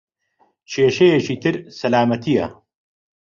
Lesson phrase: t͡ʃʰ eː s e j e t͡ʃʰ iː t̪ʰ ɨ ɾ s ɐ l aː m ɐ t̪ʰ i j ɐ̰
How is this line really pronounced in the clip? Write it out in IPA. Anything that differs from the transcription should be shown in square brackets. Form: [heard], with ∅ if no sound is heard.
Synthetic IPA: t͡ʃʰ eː [ʃ] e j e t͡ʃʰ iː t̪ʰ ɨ ɾ s ɐ l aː m ɐ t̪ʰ i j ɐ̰